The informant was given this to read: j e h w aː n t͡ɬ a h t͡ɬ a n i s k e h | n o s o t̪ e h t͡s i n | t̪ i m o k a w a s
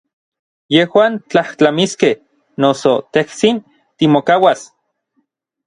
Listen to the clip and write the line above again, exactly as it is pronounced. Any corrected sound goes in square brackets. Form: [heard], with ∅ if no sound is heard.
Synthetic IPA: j e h w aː n t͡ɬ a h t͡ɬ a [m] i s k e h | n o s o t̪ e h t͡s i n | t̪ i m o k a w a s